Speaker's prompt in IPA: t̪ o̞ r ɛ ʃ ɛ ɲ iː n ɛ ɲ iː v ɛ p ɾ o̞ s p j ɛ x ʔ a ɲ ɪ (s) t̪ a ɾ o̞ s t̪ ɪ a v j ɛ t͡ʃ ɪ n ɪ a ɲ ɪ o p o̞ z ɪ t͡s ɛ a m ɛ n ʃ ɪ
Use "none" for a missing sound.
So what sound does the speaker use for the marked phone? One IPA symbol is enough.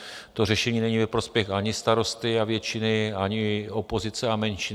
s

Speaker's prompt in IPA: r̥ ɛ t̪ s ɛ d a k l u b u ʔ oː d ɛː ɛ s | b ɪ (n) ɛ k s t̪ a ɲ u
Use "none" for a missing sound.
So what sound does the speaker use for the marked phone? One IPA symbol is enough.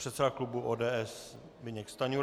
ɲ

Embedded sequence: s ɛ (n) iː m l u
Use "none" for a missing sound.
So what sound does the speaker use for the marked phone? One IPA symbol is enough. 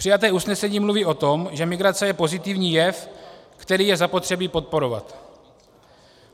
ɲ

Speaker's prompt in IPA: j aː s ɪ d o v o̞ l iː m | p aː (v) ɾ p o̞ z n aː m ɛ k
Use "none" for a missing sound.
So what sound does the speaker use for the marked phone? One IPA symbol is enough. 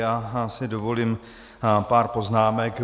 none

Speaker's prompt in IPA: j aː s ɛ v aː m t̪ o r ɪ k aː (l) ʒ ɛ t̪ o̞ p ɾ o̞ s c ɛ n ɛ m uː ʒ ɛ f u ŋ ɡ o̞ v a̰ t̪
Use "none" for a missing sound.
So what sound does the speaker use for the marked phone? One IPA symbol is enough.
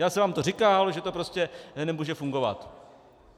l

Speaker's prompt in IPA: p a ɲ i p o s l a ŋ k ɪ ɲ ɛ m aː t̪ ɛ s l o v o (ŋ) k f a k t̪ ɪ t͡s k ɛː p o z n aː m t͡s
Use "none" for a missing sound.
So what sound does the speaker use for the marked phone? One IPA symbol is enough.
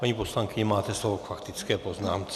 none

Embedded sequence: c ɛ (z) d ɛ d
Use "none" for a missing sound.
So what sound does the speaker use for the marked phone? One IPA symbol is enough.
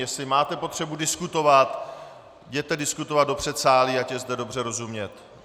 z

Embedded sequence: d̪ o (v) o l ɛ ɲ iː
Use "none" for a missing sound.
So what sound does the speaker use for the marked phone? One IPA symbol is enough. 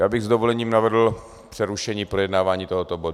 v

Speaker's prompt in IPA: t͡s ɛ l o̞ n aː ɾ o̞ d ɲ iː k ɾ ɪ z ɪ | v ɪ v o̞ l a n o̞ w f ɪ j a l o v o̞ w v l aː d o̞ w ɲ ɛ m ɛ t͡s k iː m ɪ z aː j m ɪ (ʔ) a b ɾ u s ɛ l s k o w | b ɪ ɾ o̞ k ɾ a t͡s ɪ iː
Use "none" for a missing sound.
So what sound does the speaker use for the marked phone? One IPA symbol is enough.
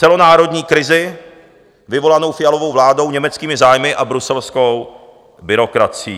ʔ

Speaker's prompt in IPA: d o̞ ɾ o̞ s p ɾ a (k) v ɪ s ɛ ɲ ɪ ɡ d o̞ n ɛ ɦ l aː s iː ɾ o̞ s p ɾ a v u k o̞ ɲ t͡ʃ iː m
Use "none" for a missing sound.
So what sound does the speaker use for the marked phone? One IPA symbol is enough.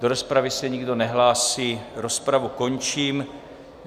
none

